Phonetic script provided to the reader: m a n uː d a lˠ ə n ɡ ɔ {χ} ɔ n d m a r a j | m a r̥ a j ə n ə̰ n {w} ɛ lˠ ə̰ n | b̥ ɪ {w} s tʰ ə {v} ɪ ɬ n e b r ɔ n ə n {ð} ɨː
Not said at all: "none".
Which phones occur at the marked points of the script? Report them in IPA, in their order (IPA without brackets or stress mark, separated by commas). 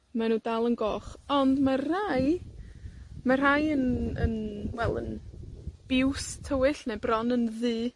χ, w, w, w, ð